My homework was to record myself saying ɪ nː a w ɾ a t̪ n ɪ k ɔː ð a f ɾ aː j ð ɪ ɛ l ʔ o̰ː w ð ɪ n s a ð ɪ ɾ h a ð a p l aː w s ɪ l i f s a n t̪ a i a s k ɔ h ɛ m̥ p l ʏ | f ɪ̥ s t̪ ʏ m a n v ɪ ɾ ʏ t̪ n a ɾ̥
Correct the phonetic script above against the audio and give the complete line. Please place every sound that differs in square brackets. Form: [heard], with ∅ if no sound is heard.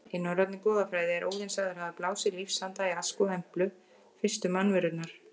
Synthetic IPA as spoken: ɪ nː a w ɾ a t̪ n ɪ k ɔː ð a f ɾ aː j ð ɪ ɛ [ɾ] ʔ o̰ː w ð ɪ n s a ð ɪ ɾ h a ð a p l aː w s ɪ l i f s a n t̪ a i a s k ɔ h ɛ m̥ p l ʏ | f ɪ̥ s t̪ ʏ m a n v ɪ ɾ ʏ t̪ n a ɾ̥